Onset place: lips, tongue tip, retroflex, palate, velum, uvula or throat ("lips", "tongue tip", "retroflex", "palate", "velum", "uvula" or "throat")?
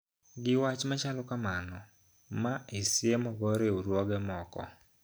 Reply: velum